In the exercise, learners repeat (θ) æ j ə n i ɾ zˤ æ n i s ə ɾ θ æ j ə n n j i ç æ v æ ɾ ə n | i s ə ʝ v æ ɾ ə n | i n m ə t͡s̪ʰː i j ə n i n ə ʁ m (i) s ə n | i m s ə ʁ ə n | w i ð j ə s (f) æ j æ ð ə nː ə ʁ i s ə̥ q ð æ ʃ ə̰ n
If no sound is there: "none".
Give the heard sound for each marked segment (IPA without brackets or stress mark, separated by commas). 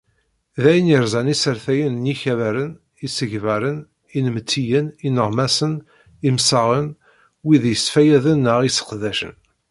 ð, æ, f